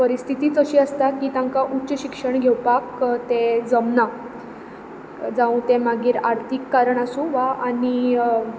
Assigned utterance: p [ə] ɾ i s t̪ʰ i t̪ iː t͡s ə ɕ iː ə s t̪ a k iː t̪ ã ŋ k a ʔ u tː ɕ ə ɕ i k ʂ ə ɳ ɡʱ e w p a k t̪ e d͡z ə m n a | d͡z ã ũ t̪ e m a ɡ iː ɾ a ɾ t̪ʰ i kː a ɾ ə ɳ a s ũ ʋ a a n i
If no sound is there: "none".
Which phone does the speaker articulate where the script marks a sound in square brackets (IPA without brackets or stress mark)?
ə